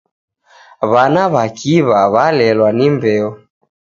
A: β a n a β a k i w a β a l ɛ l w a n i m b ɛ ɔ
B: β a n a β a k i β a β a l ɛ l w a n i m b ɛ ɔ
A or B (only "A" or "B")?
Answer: B